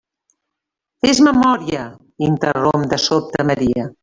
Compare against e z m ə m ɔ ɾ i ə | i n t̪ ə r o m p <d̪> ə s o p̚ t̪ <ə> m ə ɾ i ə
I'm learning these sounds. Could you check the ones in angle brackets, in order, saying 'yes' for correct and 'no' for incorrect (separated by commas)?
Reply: yes, yes